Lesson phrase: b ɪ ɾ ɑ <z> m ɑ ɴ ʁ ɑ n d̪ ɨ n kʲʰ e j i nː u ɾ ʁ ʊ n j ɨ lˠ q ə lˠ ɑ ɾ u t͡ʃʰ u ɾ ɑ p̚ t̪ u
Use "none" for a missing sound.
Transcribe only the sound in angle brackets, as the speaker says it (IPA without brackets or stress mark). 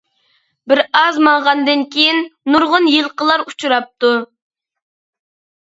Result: z